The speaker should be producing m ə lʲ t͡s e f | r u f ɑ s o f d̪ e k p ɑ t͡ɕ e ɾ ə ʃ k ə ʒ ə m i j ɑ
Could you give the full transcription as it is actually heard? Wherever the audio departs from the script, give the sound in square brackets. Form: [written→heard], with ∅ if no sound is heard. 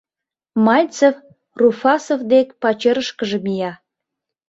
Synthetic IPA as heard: m [ə→ɑ] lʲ t͡s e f | r u f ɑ s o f d̪ e k p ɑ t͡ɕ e ɾ ə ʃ k ə ʒ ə m i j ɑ